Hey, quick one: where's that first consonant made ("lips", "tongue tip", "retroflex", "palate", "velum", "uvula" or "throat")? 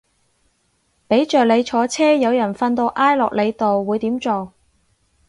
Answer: lips